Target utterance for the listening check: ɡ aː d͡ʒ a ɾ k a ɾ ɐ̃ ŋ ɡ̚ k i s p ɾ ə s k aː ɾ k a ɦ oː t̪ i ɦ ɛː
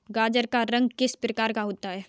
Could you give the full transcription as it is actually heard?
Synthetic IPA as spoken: ɡ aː d͡ʒ ə ɾ k a ɾ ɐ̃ ŋ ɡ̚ k ɪ s p ɾ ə k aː ɾ k a ɦ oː t̪ a ɦ ɛː